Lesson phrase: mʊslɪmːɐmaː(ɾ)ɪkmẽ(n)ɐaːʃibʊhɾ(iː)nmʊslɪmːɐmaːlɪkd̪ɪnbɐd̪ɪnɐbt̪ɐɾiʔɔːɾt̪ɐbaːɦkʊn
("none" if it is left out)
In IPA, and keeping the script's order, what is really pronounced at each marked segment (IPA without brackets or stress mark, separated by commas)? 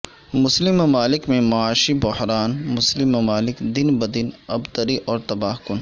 l, m, aː